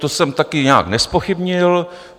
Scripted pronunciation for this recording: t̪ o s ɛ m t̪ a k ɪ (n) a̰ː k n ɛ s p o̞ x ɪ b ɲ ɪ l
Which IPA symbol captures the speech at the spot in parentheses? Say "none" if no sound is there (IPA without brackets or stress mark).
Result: ɲ